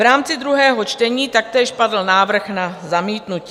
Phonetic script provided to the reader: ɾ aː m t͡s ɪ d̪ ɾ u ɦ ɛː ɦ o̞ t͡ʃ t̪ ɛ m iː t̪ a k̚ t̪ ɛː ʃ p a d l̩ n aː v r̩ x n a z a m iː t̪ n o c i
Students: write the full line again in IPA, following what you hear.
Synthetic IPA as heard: ɾ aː m t͡s ɪ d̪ ɾ u ɦ ɛː ɦ o̞ t͡ʃ t̪ ɛ ɲ iː t̪ a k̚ t̪ ɛː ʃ p a d l̩ n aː v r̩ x n a z a m iː t̪ n u c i